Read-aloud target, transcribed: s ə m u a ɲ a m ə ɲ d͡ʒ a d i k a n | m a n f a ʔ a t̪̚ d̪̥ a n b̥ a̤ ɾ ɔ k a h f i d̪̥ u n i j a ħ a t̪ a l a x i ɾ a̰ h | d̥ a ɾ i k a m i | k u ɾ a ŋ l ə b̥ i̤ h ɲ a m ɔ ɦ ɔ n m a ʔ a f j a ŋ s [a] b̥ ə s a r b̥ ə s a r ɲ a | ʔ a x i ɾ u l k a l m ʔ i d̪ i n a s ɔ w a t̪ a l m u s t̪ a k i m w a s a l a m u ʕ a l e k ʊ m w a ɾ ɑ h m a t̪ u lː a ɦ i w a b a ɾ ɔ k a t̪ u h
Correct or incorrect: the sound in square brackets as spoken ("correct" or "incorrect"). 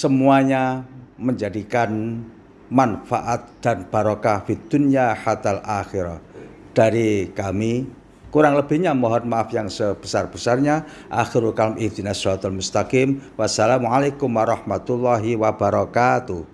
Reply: incorrect